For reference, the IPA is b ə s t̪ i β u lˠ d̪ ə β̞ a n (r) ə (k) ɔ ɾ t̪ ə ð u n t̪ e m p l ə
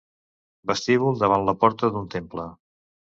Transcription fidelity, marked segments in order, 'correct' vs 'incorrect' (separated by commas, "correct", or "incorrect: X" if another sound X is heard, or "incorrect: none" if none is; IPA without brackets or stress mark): incorrect: l, incorrect: p